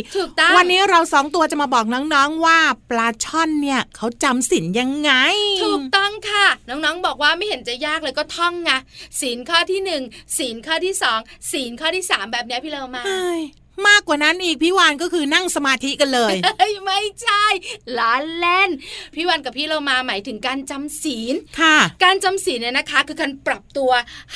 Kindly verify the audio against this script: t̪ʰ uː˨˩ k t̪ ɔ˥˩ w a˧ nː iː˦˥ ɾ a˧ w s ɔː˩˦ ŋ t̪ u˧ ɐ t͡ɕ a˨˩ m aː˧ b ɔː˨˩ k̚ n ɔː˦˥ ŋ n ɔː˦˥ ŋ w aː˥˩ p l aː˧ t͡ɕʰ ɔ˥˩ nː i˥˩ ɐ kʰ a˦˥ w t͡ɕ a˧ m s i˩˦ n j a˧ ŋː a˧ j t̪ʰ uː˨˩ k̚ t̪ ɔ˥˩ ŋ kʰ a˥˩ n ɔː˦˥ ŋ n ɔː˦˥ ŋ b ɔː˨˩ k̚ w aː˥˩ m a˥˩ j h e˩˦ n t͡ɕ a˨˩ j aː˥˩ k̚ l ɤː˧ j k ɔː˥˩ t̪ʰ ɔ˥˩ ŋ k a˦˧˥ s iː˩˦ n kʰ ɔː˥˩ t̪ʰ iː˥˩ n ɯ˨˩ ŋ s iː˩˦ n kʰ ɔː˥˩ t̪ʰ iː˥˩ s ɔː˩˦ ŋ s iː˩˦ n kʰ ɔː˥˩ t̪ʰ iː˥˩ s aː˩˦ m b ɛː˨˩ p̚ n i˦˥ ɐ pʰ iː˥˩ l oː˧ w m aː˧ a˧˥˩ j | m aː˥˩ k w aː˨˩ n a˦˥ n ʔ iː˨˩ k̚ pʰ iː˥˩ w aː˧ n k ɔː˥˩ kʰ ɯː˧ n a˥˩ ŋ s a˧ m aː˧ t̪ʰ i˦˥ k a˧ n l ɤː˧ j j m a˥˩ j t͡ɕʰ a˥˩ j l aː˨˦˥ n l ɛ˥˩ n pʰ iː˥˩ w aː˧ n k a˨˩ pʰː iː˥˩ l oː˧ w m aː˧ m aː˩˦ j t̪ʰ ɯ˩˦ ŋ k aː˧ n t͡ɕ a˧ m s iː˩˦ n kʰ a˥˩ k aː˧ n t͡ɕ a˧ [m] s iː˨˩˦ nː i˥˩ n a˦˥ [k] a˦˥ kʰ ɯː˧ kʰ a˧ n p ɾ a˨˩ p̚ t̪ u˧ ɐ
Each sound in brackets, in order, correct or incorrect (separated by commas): correct, incorrect